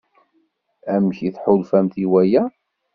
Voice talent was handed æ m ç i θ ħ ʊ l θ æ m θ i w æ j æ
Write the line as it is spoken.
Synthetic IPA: æ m ç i θ ħ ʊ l f æ m θ i w æ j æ